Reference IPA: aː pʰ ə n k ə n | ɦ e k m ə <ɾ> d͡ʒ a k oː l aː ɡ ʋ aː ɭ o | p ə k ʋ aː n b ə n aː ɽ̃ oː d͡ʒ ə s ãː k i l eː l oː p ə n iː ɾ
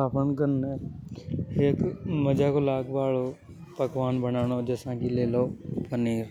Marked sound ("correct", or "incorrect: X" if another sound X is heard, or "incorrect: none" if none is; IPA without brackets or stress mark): incorrect: none